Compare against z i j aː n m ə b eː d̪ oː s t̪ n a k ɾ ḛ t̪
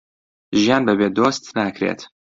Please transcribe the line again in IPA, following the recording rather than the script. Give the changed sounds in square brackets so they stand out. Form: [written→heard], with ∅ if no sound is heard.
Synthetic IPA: [z→ʒ] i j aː n [m→b] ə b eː d̪ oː s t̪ n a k ɾ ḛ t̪